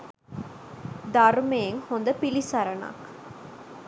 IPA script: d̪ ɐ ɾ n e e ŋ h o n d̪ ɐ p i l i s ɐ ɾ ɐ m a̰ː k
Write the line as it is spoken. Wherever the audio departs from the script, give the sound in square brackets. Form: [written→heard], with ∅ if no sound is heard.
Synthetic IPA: d̪ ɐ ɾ [n→m] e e ŋ h o n d̪ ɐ p i l i s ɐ ɾ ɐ [m→n] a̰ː k